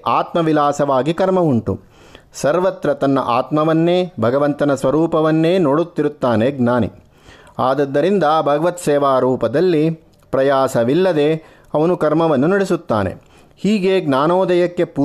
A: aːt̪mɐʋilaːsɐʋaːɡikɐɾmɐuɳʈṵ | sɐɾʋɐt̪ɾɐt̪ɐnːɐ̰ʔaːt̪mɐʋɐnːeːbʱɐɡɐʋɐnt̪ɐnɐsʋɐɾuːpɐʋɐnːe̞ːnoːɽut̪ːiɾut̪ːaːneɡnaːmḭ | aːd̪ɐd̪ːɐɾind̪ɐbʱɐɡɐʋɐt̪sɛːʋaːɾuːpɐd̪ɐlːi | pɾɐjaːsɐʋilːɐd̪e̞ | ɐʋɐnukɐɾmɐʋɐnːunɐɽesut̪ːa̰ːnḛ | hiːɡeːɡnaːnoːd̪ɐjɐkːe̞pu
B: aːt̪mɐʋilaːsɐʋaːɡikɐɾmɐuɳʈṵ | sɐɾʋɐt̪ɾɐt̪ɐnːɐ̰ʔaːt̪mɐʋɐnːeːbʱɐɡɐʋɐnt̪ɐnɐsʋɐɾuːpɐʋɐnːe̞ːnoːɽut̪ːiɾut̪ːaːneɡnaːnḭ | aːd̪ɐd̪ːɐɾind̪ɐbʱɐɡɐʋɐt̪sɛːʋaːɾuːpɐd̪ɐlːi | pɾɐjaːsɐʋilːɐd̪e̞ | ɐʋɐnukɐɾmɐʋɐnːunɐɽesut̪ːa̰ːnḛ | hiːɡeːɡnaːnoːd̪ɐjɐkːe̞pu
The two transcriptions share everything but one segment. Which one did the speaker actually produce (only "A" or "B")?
B